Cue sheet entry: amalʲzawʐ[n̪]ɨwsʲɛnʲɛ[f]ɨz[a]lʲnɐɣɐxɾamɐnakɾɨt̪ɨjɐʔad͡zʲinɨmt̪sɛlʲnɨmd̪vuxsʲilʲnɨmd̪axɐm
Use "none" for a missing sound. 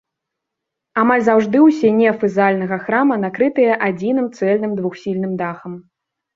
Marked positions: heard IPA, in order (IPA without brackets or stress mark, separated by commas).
d̪, f, a